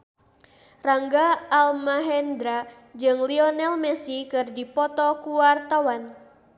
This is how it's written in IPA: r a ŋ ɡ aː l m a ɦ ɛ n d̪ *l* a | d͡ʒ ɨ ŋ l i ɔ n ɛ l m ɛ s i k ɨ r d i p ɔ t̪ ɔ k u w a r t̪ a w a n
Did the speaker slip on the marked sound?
yes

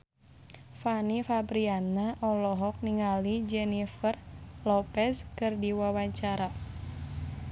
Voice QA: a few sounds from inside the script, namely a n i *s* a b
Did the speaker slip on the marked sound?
yes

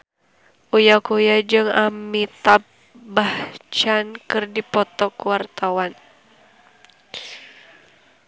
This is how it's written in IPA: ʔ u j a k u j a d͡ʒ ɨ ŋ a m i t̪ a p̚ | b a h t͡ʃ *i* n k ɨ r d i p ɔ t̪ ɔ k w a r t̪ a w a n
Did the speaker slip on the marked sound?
yes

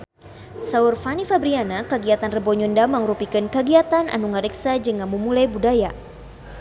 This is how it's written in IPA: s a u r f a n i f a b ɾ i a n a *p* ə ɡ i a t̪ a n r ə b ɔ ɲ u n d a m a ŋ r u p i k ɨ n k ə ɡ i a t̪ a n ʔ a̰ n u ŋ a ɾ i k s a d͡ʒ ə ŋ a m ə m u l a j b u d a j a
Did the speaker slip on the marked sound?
yes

